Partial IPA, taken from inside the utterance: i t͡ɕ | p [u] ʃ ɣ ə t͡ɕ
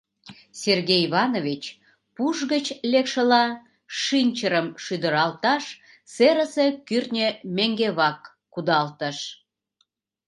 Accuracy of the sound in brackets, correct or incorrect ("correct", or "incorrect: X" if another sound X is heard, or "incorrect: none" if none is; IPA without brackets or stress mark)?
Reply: correct